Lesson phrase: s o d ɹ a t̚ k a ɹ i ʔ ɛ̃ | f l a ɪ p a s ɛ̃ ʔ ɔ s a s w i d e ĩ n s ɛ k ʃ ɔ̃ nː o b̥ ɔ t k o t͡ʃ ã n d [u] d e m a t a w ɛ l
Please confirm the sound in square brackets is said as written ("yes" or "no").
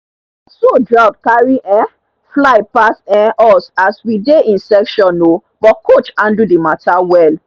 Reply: yes